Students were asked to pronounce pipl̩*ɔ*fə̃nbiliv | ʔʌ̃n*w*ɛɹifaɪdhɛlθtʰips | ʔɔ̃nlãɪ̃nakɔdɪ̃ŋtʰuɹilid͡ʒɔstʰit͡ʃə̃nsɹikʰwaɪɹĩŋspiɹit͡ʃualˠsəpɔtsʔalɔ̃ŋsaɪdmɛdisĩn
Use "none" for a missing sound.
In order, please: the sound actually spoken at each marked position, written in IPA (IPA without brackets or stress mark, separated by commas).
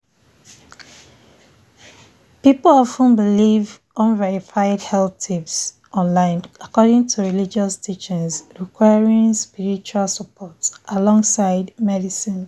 ɔ, v